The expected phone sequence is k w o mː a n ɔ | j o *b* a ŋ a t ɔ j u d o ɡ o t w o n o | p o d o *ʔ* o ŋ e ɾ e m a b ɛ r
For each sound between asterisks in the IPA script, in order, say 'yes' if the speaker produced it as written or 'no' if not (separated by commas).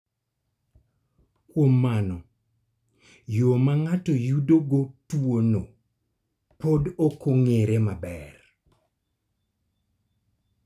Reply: no, no